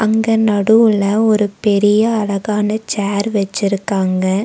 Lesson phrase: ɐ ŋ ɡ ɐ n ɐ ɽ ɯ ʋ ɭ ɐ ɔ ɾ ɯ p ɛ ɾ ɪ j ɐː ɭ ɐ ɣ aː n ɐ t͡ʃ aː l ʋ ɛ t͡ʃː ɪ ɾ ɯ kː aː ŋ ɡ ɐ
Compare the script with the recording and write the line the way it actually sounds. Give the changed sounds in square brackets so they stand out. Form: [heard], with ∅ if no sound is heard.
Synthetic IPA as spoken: ɐ ŋ ɡ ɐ n ɐ ɽ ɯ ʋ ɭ ɐ ɔ ɾ ɯ p ɛ ɾ ɪ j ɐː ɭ ɐ ɣ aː n ɐ t͡ʃ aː [ɾ] ʋ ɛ t͡ʃː ɪ ɾ ɯ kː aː ŋ ɡ ɐ